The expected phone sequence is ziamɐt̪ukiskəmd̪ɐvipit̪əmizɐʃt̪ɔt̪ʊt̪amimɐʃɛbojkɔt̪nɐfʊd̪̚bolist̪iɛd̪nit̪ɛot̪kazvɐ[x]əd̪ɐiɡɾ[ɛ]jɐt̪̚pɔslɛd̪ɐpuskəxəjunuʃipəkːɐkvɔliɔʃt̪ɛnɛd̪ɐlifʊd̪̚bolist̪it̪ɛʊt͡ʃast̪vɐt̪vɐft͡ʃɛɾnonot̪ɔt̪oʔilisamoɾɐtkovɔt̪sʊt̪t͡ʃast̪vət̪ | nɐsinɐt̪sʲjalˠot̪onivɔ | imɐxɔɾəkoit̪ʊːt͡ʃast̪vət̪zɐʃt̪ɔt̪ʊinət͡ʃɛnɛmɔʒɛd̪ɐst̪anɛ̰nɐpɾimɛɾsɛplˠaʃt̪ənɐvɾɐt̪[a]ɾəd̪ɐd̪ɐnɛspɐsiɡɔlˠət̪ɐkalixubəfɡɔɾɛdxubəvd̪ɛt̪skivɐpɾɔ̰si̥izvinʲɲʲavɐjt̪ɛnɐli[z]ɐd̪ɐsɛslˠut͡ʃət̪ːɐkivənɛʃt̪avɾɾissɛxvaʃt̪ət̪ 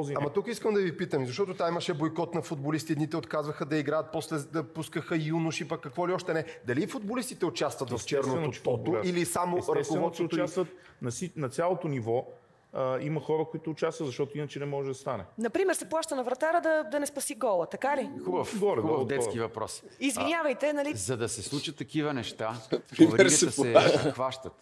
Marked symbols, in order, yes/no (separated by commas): yes, no, yes, yes